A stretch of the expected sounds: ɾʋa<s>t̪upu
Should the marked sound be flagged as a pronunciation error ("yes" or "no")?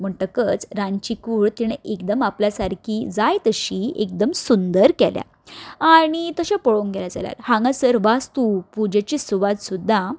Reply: no